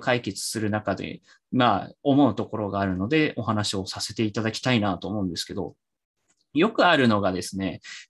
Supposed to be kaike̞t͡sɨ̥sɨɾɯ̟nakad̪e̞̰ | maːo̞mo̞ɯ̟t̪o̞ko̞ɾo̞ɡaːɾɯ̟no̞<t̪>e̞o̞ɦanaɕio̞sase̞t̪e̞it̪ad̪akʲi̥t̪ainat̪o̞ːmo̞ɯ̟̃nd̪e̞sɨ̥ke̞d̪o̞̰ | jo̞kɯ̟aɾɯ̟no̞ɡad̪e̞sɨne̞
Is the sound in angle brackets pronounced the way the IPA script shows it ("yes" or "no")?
no